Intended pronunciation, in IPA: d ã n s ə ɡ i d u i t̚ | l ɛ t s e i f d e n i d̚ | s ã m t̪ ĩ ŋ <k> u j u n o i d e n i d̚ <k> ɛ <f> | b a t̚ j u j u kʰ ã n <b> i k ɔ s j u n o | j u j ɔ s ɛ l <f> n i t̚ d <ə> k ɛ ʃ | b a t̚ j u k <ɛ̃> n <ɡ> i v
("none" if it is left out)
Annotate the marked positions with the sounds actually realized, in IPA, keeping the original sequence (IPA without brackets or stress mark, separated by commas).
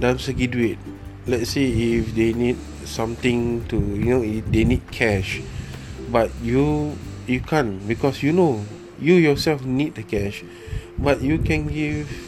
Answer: t, kʰ, ʃ, b, f, ə, ɛ̃, ɡ